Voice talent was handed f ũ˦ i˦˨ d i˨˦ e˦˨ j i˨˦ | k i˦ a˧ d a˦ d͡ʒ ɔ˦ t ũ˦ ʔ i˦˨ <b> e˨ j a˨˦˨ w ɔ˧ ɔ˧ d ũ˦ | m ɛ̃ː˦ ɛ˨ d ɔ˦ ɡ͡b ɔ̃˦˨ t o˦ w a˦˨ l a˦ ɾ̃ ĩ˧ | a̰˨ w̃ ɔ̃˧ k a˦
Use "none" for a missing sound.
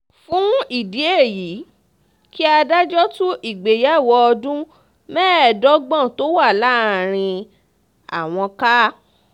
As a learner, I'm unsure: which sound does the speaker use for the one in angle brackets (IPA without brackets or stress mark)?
ɡ͡b